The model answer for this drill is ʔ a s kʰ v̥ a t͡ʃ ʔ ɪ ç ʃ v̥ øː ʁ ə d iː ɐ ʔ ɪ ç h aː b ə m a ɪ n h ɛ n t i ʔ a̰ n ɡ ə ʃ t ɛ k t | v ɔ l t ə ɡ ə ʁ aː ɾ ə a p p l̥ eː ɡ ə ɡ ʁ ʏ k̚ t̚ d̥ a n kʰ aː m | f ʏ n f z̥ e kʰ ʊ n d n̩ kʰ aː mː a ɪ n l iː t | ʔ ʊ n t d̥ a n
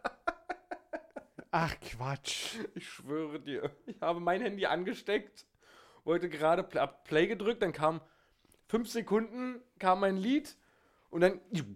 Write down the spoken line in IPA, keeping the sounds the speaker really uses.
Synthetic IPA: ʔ a χ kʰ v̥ a t͡ʃ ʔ ɪ ç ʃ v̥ øː ʁ ə d iː ɐ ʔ ɪ ç h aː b ə m a ɪ n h ɛ n d i ʔ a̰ n ɡ ə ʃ t ɛ k t | v ɔ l t ə ɡ ə ʁ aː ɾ ə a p p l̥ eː ɡ ə d ʁ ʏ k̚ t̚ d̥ a n kʰ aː m | f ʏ n f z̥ e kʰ ʊ n d n̩ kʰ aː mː a ɪ n l iː t | ʔ ʊ n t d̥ a n